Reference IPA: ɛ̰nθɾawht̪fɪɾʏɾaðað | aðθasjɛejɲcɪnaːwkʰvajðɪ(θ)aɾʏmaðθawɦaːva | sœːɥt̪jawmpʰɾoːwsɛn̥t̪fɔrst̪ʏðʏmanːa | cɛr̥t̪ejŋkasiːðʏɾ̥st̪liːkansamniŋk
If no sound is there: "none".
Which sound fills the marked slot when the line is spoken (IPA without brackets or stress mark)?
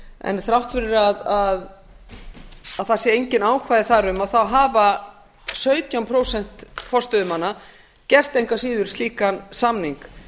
θ